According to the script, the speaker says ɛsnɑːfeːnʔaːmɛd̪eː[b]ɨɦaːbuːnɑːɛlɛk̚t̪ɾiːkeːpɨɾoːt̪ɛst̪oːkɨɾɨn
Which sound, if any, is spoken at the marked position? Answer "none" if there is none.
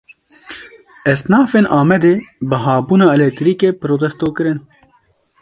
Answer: b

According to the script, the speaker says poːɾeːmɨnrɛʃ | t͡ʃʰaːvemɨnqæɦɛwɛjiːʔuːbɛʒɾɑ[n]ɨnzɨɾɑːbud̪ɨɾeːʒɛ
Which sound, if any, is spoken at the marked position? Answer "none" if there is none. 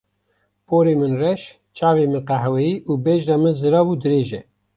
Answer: m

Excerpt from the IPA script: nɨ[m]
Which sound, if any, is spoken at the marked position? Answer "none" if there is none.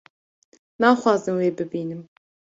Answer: m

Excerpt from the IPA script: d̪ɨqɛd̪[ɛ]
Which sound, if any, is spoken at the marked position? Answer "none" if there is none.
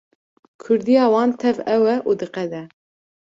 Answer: ɛ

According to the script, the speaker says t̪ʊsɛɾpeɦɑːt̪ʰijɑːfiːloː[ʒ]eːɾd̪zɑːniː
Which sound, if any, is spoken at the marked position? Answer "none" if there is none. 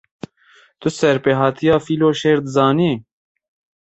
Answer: ʃ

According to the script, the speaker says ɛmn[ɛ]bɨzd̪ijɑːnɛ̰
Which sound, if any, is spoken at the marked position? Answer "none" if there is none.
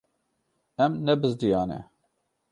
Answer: ɛ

